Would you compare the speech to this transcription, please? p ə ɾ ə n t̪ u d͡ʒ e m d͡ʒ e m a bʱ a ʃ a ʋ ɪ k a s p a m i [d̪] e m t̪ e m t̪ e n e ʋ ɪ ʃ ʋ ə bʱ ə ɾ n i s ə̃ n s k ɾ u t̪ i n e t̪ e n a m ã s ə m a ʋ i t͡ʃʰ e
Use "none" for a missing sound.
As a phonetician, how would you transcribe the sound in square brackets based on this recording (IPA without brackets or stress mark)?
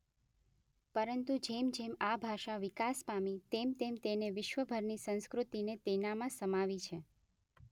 t̪